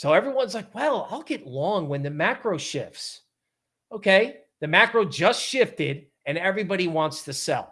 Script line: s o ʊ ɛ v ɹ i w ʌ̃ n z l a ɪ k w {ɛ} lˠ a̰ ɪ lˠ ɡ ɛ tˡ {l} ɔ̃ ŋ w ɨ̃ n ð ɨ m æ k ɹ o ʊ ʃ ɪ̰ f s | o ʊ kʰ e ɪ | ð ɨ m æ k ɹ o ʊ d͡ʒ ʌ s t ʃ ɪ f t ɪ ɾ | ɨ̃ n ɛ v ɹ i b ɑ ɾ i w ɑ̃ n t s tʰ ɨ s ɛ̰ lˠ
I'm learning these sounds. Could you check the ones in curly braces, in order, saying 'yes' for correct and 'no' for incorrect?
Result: yes, yes

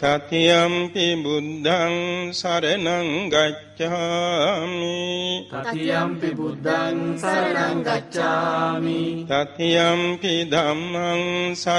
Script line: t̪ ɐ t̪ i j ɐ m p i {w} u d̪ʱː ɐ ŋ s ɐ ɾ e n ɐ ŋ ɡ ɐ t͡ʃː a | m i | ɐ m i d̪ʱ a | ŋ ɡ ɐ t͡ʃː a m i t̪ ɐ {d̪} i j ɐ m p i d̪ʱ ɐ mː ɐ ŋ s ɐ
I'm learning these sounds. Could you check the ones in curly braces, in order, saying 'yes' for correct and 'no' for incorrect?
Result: no, no

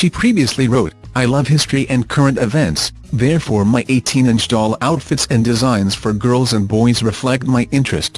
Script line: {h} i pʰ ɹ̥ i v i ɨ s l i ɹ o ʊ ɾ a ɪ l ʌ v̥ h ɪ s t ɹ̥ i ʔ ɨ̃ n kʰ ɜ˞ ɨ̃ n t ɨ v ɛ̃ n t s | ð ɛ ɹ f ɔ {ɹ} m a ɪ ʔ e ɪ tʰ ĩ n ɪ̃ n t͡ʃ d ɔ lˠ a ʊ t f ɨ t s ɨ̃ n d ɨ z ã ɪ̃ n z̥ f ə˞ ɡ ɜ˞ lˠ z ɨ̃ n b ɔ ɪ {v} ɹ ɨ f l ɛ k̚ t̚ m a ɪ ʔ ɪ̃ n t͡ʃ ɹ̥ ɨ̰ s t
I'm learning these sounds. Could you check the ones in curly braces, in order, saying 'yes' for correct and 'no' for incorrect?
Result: no, yes, no

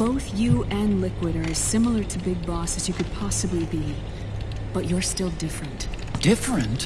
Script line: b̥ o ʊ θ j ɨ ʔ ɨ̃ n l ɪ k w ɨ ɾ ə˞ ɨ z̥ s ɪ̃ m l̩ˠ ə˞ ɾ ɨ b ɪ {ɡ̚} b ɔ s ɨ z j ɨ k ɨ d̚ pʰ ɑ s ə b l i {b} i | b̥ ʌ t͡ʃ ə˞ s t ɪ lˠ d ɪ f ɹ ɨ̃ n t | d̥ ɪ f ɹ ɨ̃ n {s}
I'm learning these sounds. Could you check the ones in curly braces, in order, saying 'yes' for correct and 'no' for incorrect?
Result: yes, yes, no

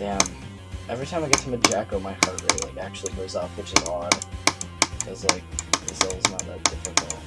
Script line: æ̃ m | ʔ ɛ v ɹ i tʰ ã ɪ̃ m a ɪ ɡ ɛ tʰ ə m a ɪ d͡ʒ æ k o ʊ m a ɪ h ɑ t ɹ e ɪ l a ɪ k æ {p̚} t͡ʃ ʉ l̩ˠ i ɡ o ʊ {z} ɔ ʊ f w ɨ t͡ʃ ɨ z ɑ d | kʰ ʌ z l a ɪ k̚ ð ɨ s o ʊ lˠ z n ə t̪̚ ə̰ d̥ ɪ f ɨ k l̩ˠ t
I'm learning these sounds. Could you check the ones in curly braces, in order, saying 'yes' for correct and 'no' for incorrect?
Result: no, yes

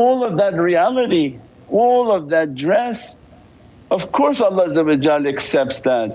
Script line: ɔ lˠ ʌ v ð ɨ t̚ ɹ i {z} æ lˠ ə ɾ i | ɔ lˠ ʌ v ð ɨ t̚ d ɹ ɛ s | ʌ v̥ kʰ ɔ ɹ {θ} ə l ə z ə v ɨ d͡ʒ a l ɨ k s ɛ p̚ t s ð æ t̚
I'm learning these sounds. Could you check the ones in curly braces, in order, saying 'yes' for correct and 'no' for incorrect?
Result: no, no

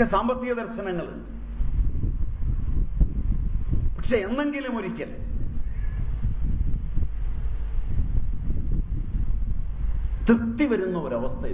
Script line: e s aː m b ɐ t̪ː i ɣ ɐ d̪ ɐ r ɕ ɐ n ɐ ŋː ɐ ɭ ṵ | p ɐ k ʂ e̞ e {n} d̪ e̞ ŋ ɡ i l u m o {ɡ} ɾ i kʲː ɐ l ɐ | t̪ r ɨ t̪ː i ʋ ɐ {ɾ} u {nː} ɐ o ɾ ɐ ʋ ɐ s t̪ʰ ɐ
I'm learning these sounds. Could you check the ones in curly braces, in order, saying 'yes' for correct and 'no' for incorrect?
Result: yes, no, yes, yes

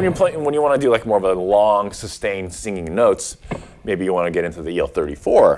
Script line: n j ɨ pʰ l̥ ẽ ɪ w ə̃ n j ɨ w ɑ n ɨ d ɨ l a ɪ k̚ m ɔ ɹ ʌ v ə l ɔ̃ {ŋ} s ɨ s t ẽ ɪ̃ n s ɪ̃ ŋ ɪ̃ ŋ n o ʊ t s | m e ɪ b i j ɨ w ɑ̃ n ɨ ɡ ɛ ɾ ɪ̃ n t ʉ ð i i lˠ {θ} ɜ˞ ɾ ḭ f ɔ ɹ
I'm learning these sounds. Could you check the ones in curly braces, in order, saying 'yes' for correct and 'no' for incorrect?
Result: yes, yes

